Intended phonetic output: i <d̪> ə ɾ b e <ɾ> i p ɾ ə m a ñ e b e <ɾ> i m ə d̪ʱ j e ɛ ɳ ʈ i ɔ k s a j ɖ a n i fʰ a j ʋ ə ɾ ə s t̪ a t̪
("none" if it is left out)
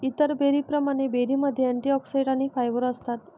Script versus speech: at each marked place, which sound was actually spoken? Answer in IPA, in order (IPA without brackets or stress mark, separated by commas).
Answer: t̪, ɾ, ɾ